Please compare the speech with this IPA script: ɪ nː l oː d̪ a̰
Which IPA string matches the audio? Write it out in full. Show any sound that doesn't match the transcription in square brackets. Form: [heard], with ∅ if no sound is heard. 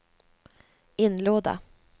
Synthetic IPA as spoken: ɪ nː l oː d̪ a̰